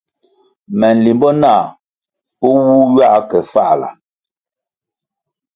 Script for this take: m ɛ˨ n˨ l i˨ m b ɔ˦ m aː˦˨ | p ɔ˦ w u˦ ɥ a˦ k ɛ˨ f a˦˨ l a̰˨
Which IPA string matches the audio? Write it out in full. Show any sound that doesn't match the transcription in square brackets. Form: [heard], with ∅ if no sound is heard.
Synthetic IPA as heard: m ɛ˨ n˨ l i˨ m b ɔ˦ [n] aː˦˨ | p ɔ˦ w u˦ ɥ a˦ k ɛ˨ f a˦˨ l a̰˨